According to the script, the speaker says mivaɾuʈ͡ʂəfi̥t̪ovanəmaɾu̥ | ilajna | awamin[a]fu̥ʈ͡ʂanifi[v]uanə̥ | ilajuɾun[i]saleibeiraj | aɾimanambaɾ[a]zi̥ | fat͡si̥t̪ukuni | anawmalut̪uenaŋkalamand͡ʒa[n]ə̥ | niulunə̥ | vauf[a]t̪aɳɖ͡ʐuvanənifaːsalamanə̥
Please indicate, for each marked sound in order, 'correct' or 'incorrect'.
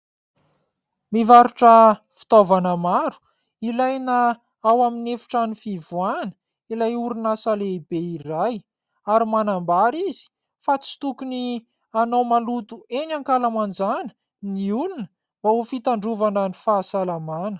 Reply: incorrect: e, correct, incorrect: a, incorrect: i, correct, incorrect: i

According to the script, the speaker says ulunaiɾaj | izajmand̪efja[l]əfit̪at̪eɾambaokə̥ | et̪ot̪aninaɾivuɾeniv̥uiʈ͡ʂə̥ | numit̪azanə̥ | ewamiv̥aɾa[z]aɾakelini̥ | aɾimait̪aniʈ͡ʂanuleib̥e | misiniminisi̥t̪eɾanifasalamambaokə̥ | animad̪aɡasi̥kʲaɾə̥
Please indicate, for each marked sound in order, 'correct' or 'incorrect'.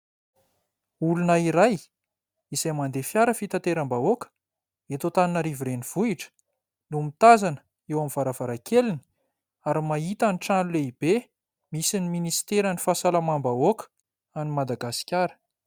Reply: incorrect: ɾ, incorrect: v

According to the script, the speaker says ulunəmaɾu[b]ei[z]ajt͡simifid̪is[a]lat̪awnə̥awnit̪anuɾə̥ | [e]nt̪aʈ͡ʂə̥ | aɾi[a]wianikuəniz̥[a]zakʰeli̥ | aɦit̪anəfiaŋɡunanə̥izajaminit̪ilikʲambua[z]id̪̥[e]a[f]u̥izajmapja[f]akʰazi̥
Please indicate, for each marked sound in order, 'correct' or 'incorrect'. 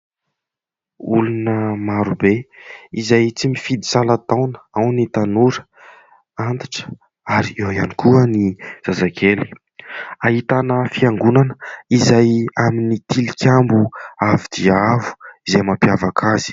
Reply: correct, correct, correct, incorrect: a, incorrect: e, correct, incorrect: v, incorrect: i, incorrect: v, incorrect: v

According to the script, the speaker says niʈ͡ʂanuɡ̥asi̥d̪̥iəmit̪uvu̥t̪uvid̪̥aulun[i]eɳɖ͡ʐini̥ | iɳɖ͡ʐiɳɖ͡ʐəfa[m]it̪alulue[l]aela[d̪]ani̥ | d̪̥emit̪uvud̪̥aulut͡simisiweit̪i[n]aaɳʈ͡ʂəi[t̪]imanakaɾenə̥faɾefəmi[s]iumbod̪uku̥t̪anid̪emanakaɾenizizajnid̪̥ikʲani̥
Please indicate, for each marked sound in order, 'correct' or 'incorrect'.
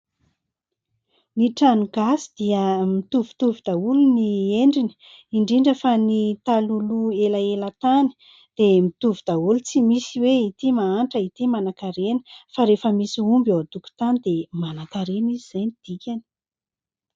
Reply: correct, incorrect: n, correct, incorrect: t̪, incorrect: m, correct, correct

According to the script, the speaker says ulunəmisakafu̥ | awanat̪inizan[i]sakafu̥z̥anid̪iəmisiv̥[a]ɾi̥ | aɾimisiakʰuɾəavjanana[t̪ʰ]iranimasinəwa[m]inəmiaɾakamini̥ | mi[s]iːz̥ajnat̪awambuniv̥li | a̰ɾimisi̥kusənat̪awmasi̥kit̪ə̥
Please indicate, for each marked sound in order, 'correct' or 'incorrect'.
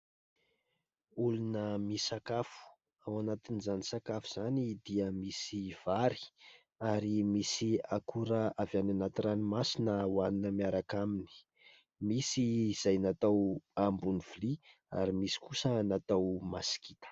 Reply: correct, correct, incorrect: t̪, incorrect: n, correct

